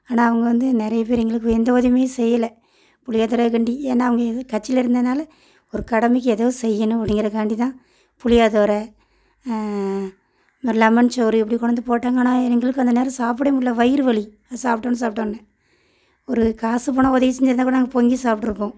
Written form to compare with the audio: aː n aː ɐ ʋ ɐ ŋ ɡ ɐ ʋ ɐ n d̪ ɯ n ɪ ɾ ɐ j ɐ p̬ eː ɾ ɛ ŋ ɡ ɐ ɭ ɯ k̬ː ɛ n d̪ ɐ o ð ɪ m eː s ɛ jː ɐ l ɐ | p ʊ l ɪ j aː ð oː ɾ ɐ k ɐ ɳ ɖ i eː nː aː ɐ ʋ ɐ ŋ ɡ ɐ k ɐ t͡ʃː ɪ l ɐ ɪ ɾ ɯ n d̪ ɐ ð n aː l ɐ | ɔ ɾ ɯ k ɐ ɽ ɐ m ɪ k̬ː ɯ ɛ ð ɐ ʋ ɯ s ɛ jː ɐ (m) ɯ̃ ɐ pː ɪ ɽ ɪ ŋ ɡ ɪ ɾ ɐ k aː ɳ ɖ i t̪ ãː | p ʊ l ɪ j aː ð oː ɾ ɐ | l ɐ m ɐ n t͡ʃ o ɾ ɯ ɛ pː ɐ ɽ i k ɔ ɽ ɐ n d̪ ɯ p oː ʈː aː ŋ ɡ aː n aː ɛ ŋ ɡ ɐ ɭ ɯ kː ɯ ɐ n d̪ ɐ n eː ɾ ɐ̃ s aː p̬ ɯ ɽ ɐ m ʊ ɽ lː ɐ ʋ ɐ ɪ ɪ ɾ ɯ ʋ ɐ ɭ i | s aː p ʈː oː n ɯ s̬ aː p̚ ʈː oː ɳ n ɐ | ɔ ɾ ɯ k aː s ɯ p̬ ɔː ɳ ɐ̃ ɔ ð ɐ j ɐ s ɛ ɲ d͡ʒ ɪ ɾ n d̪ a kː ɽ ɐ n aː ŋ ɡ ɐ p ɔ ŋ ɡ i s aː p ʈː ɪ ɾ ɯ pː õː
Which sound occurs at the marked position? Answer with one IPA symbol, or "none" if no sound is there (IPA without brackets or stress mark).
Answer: n